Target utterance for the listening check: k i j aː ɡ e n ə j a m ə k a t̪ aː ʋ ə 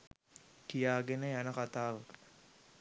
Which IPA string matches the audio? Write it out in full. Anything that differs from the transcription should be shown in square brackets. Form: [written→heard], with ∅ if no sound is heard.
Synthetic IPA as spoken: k i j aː ɡ e n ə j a [m→n] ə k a t̪ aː ʋ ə

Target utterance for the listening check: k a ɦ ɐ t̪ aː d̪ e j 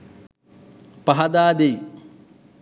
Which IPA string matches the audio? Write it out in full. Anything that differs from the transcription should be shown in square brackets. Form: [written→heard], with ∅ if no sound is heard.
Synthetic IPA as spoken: [k→p] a ɦ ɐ [t̪→d̪] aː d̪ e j

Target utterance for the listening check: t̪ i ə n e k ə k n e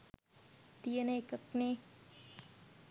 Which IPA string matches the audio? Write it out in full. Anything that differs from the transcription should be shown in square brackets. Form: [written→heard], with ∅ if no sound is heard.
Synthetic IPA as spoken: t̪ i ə n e k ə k n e

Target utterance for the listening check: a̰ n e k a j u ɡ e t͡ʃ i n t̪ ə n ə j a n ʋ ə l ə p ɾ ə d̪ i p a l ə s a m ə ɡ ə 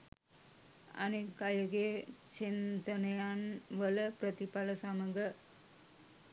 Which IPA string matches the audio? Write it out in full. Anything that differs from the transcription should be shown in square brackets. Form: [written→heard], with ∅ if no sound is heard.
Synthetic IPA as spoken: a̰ n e k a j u ɡ e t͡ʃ i n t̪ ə n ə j a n ʋ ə l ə p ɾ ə [d̪→t̪] i p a l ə s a m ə ɡ ə

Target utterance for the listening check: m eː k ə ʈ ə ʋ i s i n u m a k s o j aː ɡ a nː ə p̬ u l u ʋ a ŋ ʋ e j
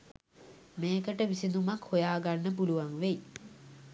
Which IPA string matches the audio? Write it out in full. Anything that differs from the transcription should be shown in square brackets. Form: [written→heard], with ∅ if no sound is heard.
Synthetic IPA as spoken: m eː k ə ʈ ə ʋ i s i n u m a k [s→h] o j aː ɡ a nː ə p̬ u l u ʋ a ŋ ʋ e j

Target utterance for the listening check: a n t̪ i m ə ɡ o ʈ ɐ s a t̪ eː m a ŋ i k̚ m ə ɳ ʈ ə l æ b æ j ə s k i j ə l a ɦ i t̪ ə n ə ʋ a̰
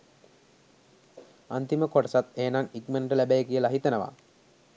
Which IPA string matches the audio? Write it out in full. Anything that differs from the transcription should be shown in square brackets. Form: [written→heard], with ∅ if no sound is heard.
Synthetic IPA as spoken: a n t̪ i m ə [ɡ→k] o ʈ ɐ s a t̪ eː [m→n] a ŋ i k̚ m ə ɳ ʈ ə l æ b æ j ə [s→∅] k i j ə l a ɦ i t̪ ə n ə ʋ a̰

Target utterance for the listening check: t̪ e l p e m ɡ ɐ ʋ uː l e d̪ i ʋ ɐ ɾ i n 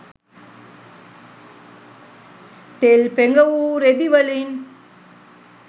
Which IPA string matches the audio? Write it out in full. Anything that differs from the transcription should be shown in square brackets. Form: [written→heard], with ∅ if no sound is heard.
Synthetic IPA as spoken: t̪ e l p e [m→ŋ] ɡ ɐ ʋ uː [l→ɾ] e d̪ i ʋ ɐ [ɾ→l] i n

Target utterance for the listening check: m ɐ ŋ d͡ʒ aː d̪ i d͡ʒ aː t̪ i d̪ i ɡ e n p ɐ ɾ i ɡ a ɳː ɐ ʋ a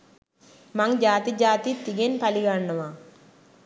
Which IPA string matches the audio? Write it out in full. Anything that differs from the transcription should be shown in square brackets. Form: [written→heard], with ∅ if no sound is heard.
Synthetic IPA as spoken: m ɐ ŋ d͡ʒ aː [d̪→t̪] i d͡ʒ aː t̪ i [d̪→t̪] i ɡ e n p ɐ [ɾ→l] i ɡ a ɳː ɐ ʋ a

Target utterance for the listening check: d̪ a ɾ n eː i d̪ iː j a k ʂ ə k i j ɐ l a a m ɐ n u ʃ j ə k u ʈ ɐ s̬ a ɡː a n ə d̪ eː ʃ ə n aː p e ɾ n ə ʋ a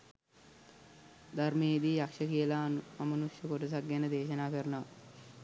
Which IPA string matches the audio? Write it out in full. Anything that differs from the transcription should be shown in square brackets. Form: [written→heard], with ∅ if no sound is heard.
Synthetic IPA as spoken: d̪ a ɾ [n→m] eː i d̪ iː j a k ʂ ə k i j [ɐ→ə] l a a m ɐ n u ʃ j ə k [u→o] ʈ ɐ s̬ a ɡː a n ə d̪ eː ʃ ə n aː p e ɾ n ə ʋ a

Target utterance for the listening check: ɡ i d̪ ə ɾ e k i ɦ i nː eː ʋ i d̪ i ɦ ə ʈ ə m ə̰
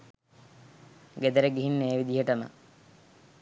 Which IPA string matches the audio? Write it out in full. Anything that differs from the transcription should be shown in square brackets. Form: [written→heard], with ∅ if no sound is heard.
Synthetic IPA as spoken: ɡ [i→e] d̪ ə ɾ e [k→ɡ] i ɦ i nː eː ʋ i d̪ i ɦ ə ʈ ə m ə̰

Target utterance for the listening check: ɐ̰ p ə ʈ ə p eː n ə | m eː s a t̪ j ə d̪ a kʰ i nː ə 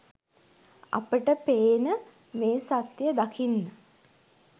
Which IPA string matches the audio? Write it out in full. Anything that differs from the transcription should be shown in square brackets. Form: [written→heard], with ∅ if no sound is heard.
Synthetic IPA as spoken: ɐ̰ p ə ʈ ə p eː n ə | m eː s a t̪ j ə d̪ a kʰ i nː ə

